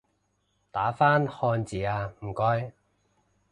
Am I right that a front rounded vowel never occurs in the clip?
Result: yes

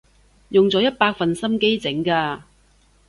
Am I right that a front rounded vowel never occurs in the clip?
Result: yes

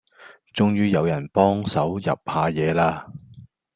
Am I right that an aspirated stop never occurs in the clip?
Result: yes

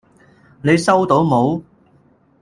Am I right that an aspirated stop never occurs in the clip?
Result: yes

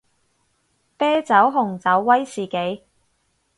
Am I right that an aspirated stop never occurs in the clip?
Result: yes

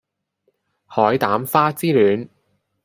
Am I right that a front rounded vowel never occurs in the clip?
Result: no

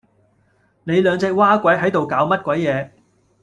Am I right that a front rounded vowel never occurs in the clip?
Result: no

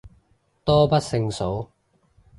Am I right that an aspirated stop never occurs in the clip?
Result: yes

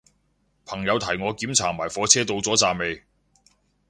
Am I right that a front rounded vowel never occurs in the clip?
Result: yes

